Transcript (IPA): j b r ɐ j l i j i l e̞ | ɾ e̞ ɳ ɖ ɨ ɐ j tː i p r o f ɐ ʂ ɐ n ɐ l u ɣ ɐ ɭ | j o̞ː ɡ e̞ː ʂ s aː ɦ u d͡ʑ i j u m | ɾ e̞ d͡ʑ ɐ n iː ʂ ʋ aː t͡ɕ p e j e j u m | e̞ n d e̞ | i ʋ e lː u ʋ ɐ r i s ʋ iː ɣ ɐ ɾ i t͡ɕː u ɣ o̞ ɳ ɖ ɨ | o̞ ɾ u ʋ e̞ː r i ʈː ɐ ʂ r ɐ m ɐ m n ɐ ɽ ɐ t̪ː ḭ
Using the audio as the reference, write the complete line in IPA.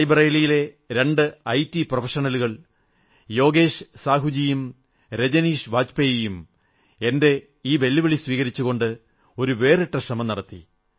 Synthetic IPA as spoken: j b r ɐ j l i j i l e̞ | ɾ e̞ ɳ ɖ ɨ ɐ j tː i p r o f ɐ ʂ ɐ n ɐ l u ɣ ɐ ɭ | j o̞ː ɡ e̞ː ʂ s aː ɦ u d͡ʑ i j u m | ɾ e̞ d͡ʑ ɐ n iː ʂ ʋ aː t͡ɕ p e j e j u m | e̞ n d e̞ | iː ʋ e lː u ʋ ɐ ɭ i s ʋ iː ɣ ɐ ɾ i t͡ɕː u ɣ o̞ ɳ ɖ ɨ | o̞ ɾ u ʋ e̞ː r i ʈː ɐ ʂ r ɐ m ɐ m n ɐ ɽ ɐ t̪ː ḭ